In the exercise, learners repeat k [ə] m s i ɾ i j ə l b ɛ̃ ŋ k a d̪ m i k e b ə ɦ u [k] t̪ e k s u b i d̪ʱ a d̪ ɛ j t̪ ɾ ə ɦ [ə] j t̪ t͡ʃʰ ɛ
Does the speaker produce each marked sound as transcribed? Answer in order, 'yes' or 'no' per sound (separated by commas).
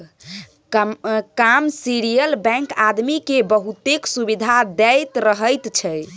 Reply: no, no, yes